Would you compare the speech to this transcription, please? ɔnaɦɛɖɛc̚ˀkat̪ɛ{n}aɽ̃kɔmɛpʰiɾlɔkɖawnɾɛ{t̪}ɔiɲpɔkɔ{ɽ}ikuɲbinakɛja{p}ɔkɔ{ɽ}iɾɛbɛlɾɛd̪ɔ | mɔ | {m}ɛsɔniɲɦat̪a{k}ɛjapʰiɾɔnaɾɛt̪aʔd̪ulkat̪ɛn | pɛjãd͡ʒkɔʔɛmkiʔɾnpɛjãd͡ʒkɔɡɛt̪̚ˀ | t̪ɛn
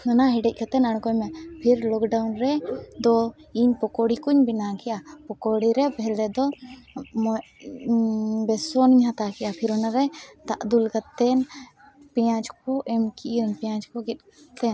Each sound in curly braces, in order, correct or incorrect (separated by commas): correct, incorrect, correct, correct, correct, incorrect, correct